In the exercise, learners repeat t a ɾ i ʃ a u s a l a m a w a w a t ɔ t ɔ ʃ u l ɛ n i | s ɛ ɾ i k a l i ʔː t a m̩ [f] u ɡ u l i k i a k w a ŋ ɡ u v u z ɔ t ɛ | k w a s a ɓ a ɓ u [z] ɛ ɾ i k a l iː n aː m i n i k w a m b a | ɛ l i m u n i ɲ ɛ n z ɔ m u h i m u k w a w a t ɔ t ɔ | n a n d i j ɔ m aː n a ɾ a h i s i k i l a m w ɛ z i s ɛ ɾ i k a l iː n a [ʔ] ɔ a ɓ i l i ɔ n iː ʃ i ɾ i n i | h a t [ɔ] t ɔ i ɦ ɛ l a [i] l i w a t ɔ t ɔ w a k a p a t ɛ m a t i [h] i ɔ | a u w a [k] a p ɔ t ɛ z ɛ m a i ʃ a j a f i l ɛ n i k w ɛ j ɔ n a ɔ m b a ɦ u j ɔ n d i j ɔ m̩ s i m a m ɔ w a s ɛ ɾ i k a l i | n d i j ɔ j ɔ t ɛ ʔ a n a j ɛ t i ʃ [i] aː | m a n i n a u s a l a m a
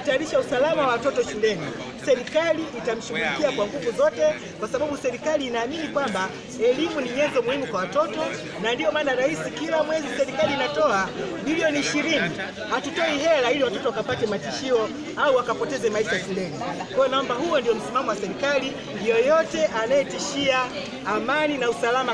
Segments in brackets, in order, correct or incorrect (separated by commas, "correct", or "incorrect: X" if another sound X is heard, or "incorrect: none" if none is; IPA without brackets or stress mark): incorrect: ʃ, incorrect: s, incorrect: t, incorrect: u, correct, incorrect: ʃ, correct, correct